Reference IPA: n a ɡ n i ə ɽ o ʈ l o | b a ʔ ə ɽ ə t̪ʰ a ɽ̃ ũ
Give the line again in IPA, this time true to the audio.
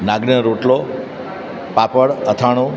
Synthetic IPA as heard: n a ɡ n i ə ɾ o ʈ l o | p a p ə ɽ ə t̪ʰ a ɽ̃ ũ